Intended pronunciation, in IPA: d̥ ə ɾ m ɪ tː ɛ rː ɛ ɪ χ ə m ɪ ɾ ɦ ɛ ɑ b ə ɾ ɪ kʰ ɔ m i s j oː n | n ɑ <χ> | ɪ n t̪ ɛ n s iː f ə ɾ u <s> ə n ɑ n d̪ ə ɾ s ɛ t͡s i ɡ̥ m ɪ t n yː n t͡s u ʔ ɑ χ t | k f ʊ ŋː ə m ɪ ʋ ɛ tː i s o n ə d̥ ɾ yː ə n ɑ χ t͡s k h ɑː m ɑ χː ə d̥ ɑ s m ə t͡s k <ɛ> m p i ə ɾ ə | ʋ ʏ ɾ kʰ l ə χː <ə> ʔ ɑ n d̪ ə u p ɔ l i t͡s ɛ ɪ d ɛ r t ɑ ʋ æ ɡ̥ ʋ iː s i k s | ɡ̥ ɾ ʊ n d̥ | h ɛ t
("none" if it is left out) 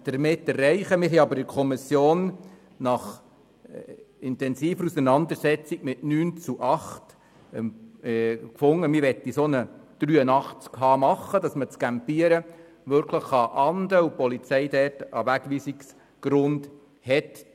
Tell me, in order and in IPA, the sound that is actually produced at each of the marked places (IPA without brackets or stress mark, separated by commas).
χ, s, æ, ɑ